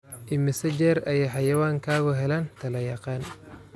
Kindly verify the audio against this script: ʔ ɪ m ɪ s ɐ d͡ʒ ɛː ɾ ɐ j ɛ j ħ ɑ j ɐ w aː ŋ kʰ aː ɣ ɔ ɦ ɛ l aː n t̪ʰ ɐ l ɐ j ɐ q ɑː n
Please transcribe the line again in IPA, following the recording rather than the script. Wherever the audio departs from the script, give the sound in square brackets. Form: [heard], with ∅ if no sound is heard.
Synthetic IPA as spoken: ʔ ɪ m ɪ s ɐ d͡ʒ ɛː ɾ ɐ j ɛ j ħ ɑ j ɐ w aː ŋ kʰ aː ɣ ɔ ɦ ɛ l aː n t̪ʰ ɐ l ɐ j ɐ q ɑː n